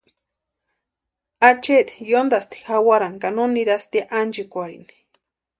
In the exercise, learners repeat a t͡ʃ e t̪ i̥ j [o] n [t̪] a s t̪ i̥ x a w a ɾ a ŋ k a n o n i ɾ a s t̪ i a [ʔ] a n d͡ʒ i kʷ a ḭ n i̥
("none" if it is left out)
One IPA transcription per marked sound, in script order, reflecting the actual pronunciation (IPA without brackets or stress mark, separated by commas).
o, d̪, ʔ